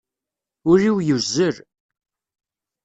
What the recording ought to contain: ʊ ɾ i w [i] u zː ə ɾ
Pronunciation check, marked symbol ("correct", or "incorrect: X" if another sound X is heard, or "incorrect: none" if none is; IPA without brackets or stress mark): incorrect: j